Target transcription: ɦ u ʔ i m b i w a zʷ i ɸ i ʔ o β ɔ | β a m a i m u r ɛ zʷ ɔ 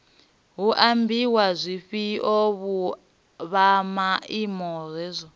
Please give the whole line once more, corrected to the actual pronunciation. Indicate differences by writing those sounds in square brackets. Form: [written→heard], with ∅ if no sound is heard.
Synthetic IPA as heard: ɦ u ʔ [i→a] m b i w a zʷ i ɸ i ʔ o β [ɔ→u] | β a m a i m [u→ɔ] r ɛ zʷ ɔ